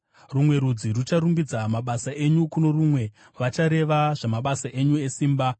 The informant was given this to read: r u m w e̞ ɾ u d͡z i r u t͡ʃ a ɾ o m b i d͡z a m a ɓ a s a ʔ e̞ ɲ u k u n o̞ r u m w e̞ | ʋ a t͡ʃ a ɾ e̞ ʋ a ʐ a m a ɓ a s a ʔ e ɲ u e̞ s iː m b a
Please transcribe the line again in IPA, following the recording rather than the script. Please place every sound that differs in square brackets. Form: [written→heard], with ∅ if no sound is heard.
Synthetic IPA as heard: r u m w e̞ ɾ u d͡z i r u t͡ʃ a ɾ [o→u] m b i d͡z a m a ɓ a s a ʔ e̞ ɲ u k u n o̞ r u m w e̞ | ʋ a t͡ʃ a ɾ e̞ ʋ a ʐ a m a ɓ a s a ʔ e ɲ u e̞ s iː m b a